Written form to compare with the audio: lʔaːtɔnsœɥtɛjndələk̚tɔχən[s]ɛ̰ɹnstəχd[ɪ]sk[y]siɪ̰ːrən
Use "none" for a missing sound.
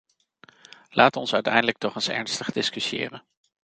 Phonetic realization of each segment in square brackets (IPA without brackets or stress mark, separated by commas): s, ɪ, y